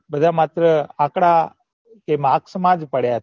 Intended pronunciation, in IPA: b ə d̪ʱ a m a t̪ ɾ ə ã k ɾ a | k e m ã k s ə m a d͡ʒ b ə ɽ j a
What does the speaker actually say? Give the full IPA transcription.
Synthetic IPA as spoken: b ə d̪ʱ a m a t̪ ɾ ə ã k ɽ a | k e m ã k s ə m a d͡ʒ p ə ɽ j a